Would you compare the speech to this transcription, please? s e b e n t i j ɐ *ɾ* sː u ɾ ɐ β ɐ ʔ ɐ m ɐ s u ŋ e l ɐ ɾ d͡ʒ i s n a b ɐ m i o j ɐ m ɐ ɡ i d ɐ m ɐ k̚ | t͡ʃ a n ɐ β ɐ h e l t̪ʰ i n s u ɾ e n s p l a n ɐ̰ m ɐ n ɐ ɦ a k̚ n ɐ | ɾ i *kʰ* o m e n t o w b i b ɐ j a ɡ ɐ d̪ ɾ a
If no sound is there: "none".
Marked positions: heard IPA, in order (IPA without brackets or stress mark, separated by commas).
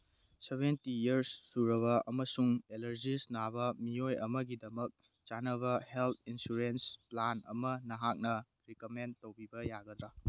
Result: ɾ, k